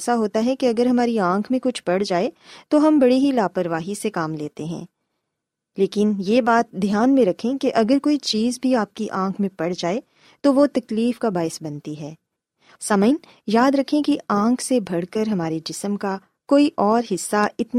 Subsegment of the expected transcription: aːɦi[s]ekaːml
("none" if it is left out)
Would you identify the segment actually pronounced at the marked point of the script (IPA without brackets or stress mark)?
s